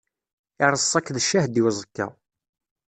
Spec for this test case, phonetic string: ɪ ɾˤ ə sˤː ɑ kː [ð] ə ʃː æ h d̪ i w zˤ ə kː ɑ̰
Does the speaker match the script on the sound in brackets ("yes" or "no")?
yes